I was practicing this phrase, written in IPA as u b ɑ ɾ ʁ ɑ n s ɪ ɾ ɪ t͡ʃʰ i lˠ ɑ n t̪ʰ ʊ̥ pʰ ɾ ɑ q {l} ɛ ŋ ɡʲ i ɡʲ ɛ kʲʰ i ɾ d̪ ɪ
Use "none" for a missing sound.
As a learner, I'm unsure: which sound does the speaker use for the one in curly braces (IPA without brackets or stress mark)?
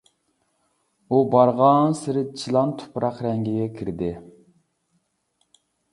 ɾ